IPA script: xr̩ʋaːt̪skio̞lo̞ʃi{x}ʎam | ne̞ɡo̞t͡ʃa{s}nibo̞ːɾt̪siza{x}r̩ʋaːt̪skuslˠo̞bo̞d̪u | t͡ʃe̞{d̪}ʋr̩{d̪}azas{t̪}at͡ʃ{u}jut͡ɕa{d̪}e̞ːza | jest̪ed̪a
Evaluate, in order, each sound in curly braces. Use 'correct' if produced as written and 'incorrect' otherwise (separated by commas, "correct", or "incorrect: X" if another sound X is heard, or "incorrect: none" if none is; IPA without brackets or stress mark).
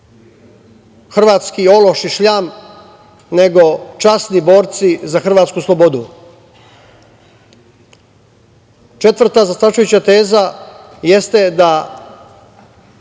incorrect: ʃ, correct, correct, incorrect: t̪, incorrect: t̪, correct, correct, incorrect: t̪